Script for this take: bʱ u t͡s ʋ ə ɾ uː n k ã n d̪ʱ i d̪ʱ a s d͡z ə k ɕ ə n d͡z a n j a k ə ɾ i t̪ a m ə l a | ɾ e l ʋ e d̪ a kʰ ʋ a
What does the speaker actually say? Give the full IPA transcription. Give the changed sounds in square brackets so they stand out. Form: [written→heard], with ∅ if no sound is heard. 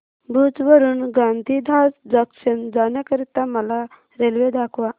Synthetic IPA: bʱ u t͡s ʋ ə ɾ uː n [k→ɡ] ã n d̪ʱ i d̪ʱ a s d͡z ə k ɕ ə n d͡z a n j a k ə ɾ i t̪ a m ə l a | ɾ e l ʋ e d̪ a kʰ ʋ a